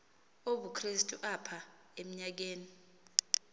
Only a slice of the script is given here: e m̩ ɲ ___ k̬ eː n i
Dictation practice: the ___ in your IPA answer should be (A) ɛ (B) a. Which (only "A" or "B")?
B